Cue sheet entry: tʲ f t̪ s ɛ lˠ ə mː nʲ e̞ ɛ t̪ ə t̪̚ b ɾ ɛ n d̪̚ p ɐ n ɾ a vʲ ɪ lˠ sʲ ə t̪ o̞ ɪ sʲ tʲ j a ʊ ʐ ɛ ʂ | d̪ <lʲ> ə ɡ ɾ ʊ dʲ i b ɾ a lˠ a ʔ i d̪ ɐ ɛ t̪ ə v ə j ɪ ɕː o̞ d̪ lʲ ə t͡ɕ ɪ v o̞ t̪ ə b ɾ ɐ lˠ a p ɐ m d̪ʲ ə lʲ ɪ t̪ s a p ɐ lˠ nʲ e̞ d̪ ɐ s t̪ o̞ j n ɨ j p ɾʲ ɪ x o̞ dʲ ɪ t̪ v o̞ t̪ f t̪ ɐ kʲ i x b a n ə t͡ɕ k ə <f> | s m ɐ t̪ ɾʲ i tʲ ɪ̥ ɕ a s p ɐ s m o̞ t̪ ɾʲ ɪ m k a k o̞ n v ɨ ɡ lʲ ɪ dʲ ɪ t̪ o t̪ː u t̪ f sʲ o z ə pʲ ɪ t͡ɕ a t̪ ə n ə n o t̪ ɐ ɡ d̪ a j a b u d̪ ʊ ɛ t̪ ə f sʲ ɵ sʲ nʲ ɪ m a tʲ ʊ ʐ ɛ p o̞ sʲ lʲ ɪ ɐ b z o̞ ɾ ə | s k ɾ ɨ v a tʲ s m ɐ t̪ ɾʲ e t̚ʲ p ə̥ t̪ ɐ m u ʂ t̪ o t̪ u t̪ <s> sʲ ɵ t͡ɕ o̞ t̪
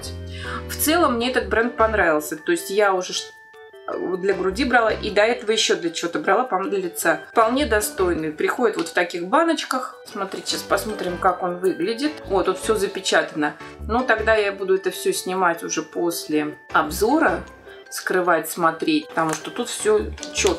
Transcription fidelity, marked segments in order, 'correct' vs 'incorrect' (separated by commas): correct, incorrect, incorrect